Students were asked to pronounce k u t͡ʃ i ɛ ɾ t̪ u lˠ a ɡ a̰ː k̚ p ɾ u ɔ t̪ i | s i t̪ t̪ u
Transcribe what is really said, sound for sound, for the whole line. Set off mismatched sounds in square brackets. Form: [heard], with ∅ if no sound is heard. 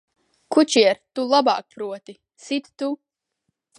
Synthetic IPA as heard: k u t͡ʃ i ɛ ɾ t̪ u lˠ a [b] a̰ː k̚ p ɾ u ɔ t̪ i | s i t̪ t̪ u